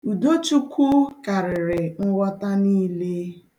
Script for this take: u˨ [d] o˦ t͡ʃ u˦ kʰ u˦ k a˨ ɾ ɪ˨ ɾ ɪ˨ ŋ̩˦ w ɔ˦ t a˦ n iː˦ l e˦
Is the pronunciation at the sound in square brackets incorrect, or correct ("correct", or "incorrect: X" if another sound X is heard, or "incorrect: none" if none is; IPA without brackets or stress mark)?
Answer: correct